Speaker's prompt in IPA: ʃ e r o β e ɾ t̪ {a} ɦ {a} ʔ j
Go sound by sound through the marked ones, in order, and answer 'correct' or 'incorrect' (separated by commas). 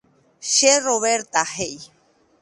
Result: correct, incorrect